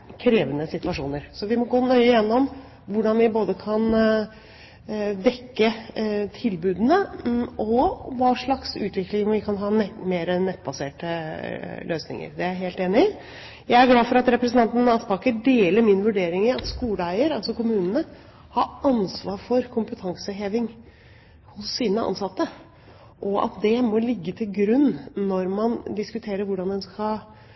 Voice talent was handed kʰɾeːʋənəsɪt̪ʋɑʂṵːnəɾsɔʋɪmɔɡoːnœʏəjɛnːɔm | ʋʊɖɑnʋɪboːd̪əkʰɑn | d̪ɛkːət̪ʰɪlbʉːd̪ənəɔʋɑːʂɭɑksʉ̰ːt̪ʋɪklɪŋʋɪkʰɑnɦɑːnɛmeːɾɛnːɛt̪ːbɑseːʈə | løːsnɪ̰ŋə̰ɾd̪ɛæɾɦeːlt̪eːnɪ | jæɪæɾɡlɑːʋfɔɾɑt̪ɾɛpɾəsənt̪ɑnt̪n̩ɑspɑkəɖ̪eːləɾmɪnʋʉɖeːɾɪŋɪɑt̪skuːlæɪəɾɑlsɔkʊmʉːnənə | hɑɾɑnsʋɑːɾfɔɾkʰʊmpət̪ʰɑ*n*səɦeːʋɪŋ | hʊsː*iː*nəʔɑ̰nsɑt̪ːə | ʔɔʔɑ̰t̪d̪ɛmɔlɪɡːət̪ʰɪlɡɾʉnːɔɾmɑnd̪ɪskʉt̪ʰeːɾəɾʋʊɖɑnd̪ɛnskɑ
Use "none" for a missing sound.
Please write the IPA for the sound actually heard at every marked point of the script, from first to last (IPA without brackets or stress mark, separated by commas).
ŋ, iː